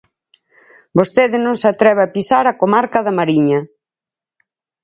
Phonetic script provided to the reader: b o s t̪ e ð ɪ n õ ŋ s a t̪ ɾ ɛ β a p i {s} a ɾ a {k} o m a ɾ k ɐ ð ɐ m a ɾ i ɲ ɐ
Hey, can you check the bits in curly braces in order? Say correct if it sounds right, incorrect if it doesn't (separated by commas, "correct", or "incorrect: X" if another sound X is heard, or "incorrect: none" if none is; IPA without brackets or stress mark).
correct, correct